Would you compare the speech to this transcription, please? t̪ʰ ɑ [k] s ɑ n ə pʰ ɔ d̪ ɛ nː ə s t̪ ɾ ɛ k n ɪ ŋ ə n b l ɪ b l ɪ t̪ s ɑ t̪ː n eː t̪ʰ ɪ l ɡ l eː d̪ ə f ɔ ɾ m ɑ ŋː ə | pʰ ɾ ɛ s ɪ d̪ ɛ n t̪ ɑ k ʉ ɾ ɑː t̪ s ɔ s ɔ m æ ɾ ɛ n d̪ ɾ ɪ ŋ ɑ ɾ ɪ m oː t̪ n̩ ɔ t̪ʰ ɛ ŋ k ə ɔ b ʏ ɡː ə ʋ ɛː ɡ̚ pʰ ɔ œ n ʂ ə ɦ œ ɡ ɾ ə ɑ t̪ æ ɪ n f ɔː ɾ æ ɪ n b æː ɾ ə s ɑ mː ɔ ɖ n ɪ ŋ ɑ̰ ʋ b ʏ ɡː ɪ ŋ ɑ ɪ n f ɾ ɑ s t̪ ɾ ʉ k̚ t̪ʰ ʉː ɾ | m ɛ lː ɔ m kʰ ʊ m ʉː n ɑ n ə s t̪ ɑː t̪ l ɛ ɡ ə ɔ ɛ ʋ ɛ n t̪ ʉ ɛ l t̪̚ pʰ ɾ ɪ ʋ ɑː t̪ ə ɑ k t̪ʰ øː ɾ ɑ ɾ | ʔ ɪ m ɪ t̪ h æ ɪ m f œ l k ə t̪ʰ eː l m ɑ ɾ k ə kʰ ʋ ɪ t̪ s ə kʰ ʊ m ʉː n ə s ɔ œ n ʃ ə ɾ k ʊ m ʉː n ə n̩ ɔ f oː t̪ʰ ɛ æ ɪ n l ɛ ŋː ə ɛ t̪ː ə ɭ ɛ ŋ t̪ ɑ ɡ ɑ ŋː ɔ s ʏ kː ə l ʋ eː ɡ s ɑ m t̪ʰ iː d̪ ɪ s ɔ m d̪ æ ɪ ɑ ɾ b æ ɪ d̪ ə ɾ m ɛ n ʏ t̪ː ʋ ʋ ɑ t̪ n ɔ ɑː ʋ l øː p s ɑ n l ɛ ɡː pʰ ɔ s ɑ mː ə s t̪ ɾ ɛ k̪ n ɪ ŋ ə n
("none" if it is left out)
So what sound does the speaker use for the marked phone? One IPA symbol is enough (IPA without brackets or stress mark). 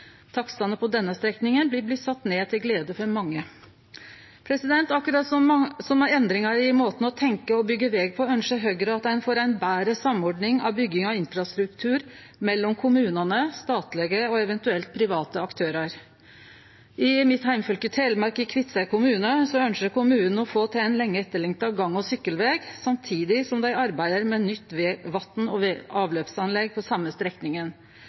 k